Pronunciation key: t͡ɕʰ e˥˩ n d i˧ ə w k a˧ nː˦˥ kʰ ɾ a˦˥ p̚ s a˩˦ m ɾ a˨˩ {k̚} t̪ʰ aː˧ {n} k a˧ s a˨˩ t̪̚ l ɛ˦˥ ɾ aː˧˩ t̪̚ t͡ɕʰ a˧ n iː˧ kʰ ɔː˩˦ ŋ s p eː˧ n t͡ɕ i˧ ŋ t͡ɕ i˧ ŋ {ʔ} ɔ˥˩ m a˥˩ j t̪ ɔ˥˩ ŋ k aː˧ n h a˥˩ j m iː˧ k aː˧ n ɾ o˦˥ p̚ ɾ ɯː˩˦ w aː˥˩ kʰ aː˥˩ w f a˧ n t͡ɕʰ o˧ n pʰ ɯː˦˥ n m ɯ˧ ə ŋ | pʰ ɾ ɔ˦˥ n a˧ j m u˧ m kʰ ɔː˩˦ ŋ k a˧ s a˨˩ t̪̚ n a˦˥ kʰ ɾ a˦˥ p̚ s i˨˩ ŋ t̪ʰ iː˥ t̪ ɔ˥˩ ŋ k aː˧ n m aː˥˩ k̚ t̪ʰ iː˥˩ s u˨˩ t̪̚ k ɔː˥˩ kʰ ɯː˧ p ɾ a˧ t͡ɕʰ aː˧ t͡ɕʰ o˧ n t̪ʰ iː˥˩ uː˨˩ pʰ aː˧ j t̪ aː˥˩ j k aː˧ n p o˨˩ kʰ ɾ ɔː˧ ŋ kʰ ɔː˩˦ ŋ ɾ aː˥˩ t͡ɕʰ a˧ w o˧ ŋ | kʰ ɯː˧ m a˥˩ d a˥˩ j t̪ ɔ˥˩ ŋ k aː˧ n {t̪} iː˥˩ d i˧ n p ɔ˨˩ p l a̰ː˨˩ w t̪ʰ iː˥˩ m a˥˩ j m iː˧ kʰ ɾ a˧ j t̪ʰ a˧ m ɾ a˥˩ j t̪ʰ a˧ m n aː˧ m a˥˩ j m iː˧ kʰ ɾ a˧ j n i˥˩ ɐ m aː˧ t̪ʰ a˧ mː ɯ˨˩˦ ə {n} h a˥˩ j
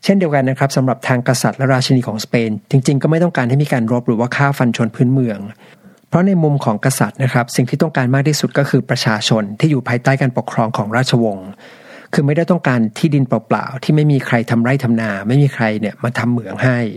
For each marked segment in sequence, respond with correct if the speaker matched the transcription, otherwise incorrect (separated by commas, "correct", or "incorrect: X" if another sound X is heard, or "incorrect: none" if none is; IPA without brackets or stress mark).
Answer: incorrect: p̚, incorrect: ŋ, incorrect: k, incorrect: t̪ʰ, incorrect: ŋ